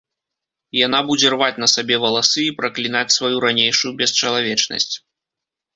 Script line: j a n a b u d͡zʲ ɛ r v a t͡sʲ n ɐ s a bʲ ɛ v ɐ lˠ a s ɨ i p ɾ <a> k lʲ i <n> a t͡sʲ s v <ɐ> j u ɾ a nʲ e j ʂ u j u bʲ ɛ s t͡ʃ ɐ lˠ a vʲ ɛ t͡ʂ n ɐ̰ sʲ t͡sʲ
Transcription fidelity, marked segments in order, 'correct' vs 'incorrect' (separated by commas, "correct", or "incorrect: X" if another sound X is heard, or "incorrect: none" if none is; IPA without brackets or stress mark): incorrect: ɐ, correct, incorrect: a